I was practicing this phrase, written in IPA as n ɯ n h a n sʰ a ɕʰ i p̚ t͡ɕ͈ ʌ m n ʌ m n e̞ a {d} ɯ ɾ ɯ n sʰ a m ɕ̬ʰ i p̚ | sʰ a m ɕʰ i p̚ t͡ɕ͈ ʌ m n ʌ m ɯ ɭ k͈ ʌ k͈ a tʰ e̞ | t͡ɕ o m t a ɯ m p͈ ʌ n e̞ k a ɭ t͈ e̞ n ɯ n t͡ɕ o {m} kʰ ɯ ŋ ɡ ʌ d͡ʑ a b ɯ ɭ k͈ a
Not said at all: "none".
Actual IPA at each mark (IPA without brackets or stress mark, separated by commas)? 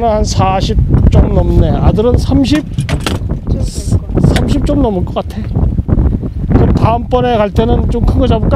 d, m